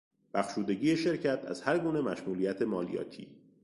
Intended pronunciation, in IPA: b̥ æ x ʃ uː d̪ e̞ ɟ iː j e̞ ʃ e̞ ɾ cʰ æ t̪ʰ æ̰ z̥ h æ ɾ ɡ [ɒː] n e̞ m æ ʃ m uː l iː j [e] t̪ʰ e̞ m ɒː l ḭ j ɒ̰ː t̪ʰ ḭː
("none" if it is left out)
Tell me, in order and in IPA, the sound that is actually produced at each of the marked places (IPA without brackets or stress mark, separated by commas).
uː, æ